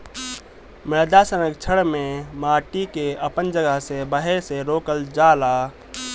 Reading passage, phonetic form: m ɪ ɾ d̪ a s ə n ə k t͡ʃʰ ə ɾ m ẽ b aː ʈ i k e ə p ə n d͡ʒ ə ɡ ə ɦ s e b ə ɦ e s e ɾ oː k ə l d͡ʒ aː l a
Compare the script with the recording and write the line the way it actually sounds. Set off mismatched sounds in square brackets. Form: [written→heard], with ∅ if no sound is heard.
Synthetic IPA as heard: m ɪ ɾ d̪ a s ə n ə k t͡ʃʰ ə [ɾ→ɽ] m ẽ [b→m] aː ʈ i k e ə p ə n d͡ʒ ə ɡ ə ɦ s e b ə ɦ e s e ɾ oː k ə l d͡ʒ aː l a